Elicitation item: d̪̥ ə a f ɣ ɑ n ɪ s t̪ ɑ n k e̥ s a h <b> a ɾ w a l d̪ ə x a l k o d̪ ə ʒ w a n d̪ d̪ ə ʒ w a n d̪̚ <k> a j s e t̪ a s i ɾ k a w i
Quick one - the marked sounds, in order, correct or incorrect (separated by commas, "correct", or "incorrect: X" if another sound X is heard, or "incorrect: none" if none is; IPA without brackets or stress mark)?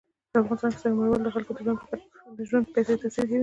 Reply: incorrect: m, incorrect: p